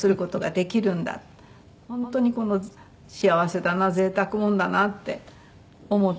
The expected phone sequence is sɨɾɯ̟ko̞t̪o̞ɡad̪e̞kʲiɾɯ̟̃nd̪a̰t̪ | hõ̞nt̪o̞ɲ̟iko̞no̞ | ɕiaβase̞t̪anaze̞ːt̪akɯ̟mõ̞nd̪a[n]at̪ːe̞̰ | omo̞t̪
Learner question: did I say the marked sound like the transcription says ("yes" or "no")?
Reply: yes